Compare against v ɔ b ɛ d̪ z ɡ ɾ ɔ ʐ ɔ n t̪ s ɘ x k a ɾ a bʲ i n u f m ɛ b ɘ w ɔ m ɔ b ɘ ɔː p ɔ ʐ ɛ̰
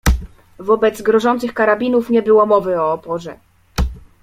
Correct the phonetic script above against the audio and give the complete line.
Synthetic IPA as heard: v ɔ b ɛ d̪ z ɡ ɾ ɔ ʐ ɔ n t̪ s ɘ x k a ɾ a bʲ i n u f ɲ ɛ b ɘ w ɔ m ɔ v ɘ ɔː p ɔ ʐ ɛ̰